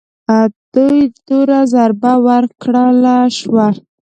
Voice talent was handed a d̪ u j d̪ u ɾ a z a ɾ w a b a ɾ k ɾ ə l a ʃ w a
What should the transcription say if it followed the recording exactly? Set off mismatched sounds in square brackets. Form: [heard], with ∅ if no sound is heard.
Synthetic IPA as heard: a d̪ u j d̪ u ɾ a z a ɾ [b] a [w] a ɾ k [ɽ] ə l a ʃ w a

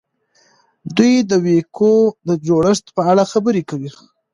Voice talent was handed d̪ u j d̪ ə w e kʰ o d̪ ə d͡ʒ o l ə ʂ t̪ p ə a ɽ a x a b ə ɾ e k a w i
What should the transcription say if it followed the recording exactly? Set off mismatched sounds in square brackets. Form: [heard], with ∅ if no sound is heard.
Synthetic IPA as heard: d̪ u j d̪ ə w e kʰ o d̪ ə d͡ʒ o [ɽ] ə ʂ t̪ p ə a ɽ a x a b ə ɾ e k a w i

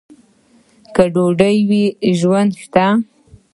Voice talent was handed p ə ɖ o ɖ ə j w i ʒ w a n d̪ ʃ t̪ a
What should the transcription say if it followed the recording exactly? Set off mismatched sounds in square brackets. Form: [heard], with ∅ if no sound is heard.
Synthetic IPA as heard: [k] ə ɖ o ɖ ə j w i ʒ w a n d̪ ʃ t̪ a

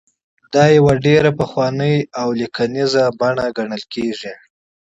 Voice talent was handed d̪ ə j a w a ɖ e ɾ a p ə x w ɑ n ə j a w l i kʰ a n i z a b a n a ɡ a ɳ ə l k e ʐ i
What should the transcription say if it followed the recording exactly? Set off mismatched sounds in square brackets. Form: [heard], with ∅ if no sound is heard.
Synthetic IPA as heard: d̪ [ɑ] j a w a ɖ e ɾ a p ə x w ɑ n ə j a w l i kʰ a n i z a b a [ɳ] a ɡ a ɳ ə l k e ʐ i

